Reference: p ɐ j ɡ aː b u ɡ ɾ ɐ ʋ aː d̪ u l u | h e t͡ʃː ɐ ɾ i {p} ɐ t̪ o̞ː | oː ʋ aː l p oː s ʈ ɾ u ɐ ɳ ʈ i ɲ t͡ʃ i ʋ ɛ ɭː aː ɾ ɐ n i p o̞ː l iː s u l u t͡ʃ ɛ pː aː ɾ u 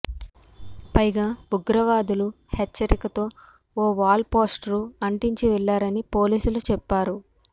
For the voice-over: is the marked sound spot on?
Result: no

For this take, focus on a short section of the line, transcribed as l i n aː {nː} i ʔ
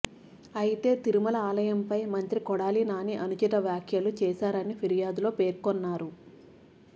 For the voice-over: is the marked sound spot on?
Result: no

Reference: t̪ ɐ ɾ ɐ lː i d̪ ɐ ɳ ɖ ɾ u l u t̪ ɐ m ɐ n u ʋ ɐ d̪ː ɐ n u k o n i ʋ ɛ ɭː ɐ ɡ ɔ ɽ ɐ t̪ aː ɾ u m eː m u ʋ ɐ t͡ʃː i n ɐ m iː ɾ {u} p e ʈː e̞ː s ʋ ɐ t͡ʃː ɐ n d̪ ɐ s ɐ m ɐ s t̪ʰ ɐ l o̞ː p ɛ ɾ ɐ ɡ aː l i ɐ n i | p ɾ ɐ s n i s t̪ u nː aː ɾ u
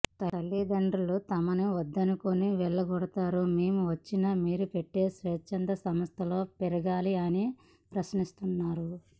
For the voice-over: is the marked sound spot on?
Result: yes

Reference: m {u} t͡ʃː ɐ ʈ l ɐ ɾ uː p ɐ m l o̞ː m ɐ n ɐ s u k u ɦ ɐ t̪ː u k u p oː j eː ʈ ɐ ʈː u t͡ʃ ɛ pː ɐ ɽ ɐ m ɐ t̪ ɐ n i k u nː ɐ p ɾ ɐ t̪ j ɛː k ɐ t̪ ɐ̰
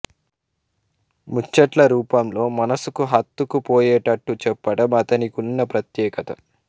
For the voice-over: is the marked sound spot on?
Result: yes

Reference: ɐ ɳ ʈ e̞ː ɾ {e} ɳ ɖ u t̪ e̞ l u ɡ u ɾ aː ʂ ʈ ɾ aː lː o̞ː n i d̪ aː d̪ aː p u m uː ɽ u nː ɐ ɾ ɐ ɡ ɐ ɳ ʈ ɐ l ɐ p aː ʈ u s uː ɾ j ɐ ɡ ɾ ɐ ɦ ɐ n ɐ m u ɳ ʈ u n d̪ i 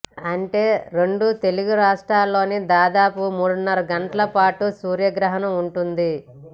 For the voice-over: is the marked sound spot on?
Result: yes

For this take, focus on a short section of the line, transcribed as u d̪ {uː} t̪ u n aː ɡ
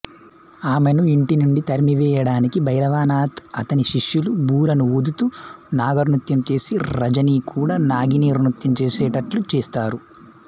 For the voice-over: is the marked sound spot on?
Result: no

